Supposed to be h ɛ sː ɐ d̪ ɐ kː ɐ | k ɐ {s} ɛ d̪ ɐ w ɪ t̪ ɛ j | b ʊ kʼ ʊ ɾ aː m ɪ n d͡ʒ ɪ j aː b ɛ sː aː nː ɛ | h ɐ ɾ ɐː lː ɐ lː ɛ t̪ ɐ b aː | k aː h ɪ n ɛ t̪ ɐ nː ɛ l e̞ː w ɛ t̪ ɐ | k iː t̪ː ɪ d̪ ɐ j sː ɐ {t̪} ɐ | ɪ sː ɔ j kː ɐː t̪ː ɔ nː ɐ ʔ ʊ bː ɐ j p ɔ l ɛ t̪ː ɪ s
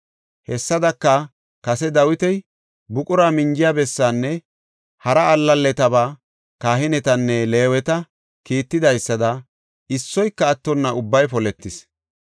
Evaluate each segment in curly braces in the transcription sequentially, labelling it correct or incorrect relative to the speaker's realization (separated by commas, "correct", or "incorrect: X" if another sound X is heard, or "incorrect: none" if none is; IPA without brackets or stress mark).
correct, incorrect: d̪